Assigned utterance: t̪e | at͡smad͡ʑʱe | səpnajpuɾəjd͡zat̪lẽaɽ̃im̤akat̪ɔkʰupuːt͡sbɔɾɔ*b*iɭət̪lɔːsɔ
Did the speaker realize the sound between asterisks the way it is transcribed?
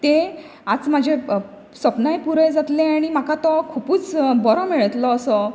no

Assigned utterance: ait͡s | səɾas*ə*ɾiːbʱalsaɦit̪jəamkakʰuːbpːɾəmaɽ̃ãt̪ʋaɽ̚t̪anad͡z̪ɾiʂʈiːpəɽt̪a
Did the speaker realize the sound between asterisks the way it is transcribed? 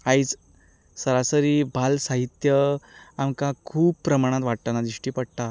yes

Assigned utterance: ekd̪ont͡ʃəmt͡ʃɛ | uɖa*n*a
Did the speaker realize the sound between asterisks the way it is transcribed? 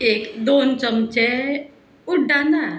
yes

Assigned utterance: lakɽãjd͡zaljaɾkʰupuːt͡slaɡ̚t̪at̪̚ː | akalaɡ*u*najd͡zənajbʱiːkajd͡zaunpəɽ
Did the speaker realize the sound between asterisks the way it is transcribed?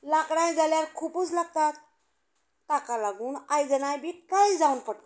no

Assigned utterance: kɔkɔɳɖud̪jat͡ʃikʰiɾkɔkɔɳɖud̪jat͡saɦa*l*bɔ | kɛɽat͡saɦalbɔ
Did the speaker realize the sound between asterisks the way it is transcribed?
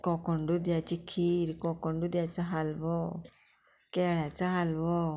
yes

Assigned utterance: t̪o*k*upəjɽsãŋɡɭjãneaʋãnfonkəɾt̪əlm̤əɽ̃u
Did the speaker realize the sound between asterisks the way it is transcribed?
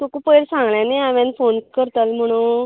yes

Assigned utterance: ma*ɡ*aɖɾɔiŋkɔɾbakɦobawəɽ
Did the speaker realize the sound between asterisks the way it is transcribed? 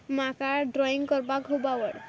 no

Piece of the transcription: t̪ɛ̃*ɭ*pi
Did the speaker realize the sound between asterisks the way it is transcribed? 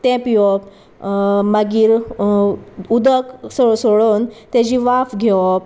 no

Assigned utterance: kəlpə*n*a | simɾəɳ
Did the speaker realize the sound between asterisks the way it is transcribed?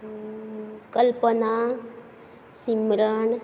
yes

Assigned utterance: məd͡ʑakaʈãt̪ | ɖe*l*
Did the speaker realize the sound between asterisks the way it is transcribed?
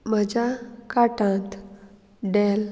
yes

